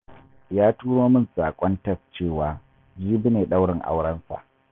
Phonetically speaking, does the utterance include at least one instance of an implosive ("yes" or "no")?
yes